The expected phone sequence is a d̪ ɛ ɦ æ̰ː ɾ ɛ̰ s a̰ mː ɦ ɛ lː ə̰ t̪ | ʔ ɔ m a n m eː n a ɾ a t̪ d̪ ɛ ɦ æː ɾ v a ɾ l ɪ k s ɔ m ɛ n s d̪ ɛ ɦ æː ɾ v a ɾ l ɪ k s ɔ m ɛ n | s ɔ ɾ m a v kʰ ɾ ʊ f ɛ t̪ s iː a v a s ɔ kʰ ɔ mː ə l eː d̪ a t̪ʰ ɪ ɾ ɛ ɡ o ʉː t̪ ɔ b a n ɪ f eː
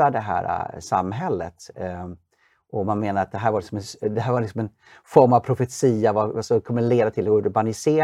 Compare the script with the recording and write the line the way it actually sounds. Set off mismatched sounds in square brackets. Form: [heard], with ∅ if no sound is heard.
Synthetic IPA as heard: a d̪ ɛ ɦ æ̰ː ɾ [a̰] s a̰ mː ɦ ɛ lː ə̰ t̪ | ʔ ɔ m a n m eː n a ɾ a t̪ d̪ ɛ ɦ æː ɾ v a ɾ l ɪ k s ɔ m ɛ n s d̪ ɛ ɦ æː ɾ v a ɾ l ɪ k s ɔ m ɛ n | [f] ɔ ɾ m a v [pʰ] ɾ ʊ f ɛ t̪ s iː a v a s ɔ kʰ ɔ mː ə l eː d̪ a t̪ʰ ɪ [l] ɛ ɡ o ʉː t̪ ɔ b a n ɪ [s] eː